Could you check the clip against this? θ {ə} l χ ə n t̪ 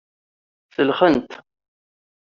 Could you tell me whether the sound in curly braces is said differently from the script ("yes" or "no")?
no